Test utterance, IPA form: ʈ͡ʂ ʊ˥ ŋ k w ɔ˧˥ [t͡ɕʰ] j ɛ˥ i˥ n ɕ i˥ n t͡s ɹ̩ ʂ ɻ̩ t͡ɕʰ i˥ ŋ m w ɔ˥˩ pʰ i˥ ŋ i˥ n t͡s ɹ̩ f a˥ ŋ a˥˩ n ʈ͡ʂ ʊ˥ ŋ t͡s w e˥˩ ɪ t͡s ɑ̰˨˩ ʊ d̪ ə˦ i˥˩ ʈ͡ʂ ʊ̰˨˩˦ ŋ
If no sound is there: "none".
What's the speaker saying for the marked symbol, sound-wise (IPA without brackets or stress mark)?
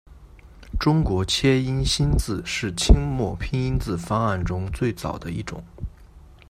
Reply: t͡ɕʰ